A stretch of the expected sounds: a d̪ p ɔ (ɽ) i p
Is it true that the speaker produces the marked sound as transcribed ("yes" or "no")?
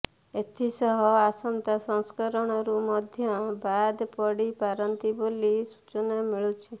yes